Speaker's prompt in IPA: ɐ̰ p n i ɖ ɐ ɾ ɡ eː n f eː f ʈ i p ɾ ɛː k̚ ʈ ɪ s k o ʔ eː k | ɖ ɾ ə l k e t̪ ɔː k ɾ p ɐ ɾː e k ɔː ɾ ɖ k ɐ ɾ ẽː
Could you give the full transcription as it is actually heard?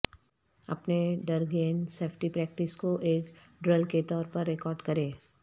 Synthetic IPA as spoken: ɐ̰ p n e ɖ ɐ ɾ ɡ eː n s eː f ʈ i p ɾ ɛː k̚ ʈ ɪ s k o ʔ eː k | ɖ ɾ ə l k e t̪ ɔː ɾ p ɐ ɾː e k ɔː ɾ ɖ k ɐ ɾ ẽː